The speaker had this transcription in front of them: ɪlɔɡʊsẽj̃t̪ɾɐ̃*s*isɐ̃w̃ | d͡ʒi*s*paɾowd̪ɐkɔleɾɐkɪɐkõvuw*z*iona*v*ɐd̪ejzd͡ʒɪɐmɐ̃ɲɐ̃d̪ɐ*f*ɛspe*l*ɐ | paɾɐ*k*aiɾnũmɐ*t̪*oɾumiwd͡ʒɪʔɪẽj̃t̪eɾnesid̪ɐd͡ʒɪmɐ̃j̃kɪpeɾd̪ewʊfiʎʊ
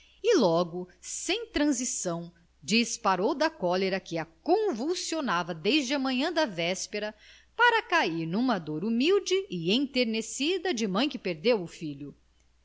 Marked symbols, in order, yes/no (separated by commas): no, yes, no, yes, no, no, yes, no